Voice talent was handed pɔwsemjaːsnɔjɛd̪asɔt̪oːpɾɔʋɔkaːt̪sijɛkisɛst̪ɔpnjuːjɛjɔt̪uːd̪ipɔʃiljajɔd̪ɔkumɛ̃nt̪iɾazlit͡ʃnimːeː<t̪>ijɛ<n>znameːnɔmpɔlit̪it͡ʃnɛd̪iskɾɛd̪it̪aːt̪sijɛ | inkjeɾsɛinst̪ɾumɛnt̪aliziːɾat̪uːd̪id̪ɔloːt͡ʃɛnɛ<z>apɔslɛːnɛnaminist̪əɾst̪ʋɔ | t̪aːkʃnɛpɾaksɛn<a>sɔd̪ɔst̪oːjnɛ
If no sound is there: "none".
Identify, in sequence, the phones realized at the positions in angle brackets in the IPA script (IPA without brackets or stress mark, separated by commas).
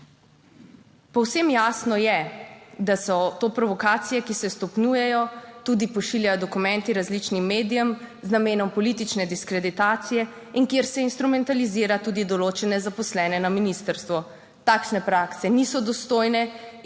d̪, m, z, i